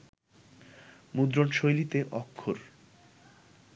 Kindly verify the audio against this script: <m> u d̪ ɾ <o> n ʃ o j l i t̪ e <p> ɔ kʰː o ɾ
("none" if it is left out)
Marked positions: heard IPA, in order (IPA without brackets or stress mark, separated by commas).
m, o, ʔ